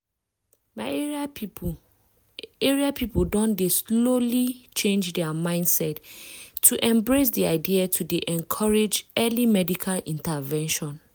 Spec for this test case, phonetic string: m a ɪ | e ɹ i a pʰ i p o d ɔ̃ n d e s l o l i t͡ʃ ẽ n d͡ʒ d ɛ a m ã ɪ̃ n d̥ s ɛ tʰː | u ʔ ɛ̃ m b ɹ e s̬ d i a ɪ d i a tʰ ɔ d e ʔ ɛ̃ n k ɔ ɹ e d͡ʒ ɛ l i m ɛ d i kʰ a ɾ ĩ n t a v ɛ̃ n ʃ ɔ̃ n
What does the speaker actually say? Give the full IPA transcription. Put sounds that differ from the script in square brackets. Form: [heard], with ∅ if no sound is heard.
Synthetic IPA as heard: m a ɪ | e ɹ i a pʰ i p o d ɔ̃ n d e s l o l i t͡ʃ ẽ n d͡ʒ d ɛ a m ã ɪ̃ n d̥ s ɛ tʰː | u ʔ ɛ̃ m b ɹ e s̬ d i a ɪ d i a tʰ [u] d e ʔ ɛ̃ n [kʰ] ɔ ɹ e d͡ʒ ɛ l i m ɛ d i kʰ a [l] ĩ n t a v ɛ̃ n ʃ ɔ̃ n